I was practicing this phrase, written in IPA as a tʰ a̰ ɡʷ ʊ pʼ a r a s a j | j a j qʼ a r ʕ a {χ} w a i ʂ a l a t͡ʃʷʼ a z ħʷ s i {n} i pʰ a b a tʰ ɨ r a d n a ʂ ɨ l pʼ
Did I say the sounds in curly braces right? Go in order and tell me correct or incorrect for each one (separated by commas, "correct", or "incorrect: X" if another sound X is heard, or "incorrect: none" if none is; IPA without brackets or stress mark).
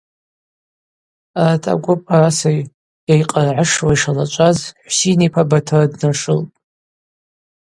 incorrect: ʂ, correct